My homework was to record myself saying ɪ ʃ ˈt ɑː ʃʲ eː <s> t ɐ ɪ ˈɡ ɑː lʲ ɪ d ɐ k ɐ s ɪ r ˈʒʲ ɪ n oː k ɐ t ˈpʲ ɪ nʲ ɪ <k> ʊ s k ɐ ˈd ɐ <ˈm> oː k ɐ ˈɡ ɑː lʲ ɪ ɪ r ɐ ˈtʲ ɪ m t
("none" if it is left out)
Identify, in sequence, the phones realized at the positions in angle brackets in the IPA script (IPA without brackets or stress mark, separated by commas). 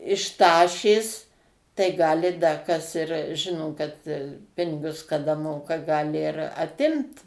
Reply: s, ɡ, m